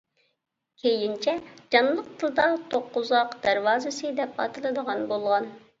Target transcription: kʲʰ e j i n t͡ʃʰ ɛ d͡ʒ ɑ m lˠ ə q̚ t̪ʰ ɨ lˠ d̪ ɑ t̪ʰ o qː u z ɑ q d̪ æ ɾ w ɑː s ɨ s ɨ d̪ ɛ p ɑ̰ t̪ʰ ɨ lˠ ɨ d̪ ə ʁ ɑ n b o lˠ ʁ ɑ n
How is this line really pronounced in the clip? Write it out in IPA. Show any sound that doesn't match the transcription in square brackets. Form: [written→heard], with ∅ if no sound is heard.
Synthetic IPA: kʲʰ e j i n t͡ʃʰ ɛ d͡ʒ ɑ [m→n] lˠ ə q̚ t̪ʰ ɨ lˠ d̪ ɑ t̪ʰ o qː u z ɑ q d̪ æ ɾ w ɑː [s→z] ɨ s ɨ d̪ ɛ p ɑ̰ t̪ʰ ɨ lˠ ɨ d̪ ə ʁ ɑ n b o lˠ ʁ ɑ n